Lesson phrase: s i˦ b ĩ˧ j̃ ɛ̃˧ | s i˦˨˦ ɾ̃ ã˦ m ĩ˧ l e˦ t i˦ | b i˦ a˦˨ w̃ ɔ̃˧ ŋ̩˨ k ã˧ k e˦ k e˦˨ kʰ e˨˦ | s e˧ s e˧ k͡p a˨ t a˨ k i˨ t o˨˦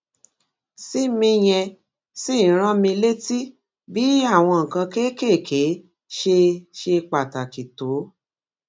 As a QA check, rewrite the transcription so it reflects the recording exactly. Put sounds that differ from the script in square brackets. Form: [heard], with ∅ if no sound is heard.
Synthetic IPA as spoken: s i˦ [m] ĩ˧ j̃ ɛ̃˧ | s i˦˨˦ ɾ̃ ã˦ m ĩ˧ l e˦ t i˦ | b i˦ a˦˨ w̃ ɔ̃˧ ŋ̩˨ k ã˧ k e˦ k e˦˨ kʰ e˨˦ | [ʃ] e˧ [ʃ] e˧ k͡p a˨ t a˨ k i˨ t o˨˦